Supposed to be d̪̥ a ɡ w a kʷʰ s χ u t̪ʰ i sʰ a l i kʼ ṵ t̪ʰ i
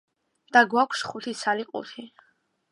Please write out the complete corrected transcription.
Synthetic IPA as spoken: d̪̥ a ɡ w a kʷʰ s χ u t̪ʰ i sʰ a l i qʼ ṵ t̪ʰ i

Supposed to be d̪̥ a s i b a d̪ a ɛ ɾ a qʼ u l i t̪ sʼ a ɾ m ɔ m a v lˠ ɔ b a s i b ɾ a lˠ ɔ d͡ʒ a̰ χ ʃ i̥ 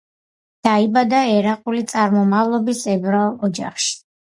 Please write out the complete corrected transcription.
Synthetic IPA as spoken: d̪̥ a i b a d̪ a ɛ ɾ a qʼ u l i t̪ sʼ a ɾ m ɔ m a v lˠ ɔ b i s ɛ b ɾ a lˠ ɔ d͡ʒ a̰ χ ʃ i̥

